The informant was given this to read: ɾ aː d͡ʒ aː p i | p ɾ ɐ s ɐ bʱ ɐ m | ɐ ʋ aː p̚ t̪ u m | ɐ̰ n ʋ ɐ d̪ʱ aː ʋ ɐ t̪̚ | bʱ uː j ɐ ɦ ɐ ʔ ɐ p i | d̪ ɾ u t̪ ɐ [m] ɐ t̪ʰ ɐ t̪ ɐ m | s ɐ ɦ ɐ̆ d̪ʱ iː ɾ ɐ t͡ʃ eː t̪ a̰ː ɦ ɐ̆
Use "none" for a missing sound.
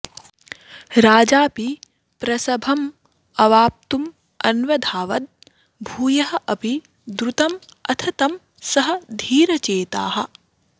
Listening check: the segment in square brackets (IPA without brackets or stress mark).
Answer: m